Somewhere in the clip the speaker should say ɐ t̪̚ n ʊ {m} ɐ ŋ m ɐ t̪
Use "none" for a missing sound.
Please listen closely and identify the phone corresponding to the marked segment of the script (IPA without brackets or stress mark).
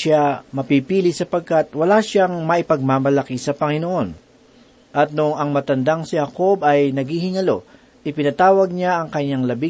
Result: ŋ